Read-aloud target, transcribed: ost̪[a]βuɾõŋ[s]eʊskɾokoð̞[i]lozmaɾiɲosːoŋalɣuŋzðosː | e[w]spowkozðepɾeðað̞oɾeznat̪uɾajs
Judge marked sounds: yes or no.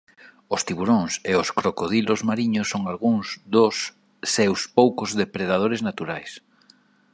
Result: no, yes, yes, yes

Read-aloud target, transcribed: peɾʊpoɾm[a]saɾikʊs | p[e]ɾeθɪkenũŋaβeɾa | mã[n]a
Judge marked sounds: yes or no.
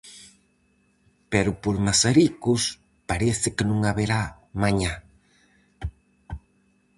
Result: yes, no, no

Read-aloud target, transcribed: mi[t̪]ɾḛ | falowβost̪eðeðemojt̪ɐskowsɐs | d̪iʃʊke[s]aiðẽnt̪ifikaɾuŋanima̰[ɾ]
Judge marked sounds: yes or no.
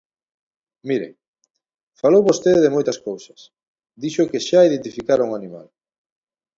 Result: no, no, no

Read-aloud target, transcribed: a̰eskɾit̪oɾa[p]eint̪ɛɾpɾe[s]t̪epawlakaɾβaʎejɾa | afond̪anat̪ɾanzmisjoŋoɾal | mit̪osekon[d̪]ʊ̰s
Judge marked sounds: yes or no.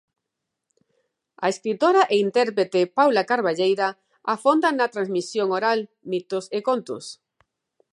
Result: no, no, no

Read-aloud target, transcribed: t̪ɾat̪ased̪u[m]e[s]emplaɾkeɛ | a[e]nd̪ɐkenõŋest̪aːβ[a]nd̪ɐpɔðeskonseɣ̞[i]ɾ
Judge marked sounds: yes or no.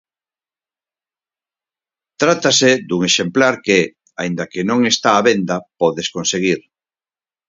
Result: no, no, no, no, yes

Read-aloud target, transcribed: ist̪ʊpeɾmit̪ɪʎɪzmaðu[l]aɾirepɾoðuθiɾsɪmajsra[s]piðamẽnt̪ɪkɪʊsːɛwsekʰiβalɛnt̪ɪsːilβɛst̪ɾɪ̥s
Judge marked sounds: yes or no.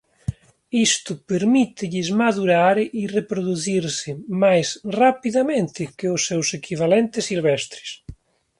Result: no, no

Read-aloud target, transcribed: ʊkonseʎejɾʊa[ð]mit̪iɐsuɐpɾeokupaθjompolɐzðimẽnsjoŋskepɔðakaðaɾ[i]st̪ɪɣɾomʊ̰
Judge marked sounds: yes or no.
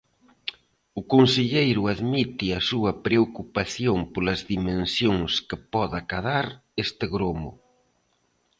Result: yes, no

